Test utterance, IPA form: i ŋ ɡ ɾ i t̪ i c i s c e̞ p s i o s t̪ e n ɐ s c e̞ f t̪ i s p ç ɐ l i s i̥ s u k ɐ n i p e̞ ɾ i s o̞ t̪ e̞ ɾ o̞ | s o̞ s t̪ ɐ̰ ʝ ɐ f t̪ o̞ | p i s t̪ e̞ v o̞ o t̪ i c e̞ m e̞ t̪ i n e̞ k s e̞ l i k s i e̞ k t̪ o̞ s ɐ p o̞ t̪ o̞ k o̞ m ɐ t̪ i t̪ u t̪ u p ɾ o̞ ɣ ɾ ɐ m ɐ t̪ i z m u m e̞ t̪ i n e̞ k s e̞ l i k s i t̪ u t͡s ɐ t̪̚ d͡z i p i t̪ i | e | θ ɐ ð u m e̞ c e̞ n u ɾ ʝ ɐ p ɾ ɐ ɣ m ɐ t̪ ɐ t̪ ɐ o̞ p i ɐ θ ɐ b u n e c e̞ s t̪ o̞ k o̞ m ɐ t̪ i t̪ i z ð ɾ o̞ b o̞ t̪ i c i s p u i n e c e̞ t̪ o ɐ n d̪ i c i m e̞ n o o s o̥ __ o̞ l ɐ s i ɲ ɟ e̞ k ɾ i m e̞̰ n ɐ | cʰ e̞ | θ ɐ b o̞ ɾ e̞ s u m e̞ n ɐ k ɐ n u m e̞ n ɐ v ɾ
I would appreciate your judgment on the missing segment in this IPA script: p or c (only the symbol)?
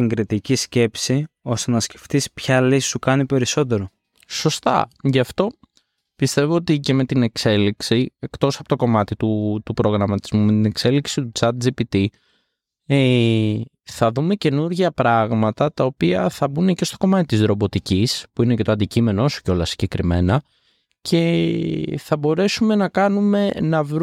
c